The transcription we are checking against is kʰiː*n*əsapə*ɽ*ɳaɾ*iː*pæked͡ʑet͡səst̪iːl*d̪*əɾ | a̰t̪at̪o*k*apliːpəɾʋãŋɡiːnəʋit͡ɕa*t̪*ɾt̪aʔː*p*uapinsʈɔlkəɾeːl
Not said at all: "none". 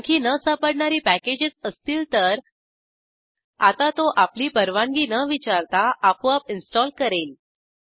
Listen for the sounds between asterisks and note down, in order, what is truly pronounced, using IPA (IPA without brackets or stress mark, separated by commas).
n, ɽ, iː, t̪, ʔ, none, p